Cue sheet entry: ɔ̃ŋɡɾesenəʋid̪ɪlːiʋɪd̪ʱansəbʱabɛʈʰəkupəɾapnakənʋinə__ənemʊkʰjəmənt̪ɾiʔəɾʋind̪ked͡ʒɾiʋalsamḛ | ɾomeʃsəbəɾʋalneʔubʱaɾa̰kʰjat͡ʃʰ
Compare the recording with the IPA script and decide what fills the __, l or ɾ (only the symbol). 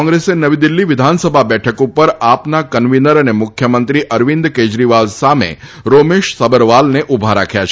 ɾ